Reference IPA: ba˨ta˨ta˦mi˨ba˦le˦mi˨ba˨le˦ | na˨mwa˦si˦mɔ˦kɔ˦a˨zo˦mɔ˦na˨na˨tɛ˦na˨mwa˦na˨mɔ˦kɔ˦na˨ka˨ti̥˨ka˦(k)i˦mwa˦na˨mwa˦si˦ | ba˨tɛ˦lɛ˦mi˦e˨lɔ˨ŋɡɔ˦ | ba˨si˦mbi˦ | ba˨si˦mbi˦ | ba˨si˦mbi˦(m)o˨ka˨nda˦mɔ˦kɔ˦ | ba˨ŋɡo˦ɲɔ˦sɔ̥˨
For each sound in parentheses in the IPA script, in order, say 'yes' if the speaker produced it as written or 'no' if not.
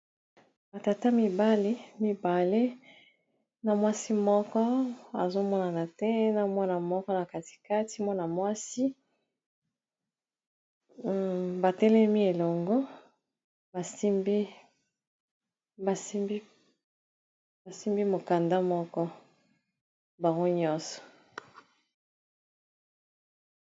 no, yes

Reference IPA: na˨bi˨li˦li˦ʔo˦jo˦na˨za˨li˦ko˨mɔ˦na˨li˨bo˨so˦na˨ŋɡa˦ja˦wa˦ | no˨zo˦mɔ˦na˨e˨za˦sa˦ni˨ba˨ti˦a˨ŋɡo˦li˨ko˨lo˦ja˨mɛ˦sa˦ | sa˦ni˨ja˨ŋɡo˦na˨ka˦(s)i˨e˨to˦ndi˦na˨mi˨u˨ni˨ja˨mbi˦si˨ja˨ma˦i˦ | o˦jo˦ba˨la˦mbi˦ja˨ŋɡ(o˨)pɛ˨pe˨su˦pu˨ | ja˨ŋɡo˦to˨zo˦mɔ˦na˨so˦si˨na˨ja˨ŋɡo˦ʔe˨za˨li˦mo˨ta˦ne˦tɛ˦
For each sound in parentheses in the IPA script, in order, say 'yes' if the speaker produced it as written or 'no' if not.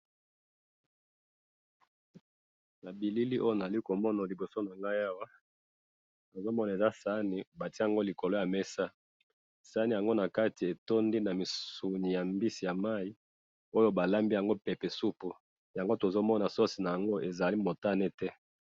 no, no

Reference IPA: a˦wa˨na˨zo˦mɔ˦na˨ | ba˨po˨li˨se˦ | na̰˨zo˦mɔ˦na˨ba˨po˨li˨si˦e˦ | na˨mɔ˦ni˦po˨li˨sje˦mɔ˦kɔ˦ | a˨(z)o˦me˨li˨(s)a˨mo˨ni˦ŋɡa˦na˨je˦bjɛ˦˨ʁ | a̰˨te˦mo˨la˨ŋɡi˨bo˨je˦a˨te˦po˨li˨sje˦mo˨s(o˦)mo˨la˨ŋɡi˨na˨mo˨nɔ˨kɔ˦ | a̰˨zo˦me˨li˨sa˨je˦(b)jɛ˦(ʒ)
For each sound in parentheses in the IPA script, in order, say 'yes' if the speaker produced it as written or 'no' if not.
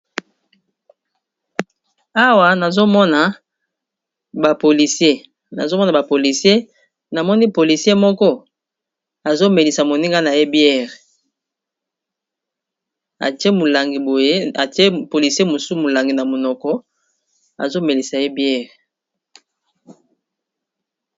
yes, yes, no, yes, no

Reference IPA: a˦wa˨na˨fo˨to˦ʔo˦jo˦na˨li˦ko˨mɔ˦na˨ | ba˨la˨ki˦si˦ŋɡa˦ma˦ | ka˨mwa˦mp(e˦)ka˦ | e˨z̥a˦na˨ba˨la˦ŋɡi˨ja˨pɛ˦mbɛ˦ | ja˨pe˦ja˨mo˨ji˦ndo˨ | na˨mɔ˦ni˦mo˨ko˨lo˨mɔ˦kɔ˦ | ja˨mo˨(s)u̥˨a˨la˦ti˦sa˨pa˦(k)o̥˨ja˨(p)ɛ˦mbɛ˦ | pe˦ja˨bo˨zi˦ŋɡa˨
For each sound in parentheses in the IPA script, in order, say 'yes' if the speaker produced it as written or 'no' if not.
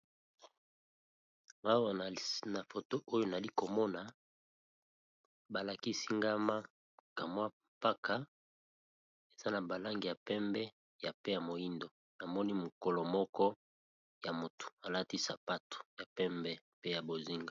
no, no, no, yes

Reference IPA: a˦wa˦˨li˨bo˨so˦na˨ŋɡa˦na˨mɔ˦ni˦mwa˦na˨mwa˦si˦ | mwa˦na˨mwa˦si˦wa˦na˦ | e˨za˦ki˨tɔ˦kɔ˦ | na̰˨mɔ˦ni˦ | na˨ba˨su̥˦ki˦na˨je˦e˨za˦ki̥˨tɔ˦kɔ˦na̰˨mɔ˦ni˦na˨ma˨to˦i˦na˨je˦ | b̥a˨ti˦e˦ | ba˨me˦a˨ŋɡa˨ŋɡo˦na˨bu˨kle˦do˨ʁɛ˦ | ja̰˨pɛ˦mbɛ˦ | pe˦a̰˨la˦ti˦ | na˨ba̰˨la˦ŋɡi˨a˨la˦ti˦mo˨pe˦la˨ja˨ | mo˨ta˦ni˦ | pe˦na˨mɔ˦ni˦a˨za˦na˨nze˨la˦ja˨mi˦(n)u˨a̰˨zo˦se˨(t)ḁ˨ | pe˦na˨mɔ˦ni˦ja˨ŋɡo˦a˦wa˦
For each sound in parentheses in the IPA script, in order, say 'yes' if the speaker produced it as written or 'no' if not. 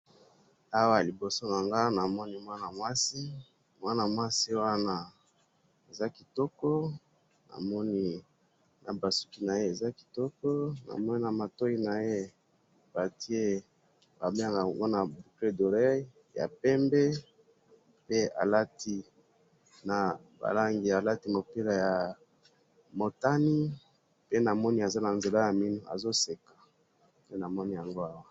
yes, no

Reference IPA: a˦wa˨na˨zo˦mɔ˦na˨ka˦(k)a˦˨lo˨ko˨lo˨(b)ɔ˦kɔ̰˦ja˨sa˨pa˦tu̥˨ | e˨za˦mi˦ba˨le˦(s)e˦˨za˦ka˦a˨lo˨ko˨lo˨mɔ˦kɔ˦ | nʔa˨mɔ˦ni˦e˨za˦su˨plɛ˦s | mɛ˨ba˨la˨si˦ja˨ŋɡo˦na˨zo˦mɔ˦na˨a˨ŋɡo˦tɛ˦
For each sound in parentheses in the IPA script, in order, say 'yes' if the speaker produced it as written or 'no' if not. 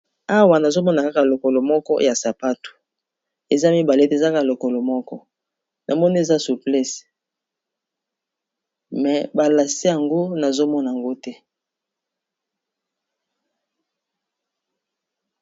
yes, no, no

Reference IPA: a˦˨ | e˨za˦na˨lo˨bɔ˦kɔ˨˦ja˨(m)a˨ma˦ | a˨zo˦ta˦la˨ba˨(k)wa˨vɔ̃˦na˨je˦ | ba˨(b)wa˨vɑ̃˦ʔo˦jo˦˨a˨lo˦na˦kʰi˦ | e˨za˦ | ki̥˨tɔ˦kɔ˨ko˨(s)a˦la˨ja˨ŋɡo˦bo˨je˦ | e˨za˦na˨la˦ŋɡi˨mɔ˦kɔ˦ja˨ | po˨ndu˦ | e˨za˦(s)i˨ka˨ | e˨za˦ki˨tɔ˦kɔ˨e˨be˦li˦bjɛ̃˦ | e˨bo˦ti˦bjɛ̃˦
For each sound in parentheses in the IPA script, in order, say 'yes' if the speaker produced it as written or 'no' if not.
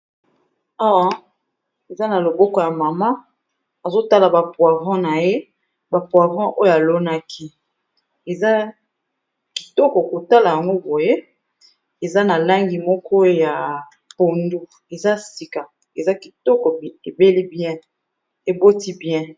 yes, no, no, no, yes

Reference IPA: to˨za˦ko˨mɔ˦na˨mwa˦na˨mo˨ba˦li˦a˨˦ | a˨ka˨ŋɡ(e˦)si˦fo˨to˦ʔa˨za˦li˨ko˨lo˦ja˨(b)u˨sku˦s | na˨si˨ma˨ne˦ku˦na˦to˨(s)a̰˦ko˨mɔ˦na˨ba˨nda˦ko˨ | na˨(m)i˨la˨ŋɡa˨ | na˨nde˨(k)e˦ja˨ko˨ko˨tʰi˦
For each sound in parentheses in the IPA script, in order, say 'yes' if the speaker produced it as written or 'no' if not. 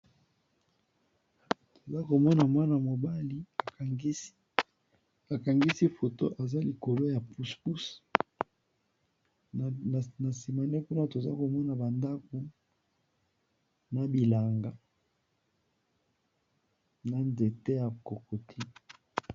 no, no, no, no, no

